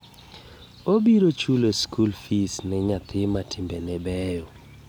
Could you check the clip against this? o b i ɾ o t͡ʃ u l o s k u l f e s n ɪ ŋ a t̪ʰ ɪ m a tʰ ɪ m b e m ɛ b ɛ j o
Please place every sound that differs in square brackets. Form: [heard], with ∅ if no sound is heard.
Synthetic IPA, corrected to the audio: o b i ɾ o t͡ʃ u l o s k u l f [i] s n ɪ [ɲ] a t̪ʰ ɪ m a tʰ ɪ m b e [n] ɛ b ɛ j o